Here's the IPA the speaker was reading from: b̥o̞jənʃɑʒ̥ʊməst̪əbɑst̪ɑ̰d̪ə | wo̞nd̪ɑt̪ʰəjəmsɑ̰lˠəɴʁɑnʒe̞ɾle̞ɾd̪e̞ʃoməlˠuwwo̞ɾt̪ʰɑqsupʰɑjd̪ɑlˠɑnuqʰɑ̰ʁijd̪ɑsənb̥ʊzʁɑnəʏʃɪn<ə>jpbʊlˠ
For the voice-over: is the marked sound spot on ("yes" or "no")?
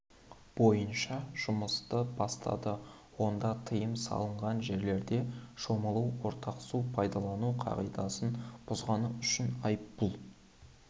no